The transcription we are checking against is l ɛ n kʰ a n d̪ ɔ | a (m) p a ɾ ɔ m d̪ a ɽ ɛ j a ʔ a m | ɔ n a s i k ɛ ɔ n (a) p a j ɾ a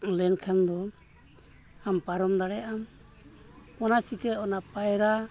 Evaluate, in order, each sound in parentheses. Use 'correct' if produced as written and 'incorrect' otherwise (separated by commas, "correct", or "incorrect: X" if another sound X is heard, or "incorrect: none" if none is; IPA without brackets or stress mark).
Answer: correct, correct